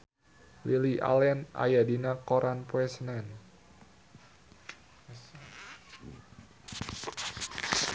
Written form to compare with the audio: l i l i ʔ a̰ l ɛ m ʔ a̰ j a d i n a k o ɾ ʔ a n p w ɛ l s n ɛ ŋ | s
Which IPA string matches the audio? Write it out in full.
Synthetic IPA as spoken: l i l i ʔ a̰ l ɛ n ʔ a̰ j a d i n a k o ɾ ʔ a n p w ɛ s n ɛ n | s

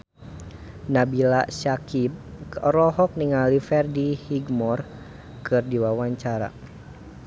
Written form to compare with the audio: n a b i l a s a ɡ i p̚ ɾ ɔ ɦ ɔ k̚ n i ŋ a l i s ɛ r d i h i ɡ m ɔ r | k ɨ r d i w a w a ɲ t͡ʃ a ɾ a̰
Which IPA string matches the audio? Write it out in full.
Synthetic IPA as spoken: n a b i l a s a k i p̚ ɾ ɔ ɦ ɔ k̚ n i ŋ a l i f ɛ r d i h i ɡ m ɔ r | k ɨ r d i w a w a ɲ t͡ʃ a ɾ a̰

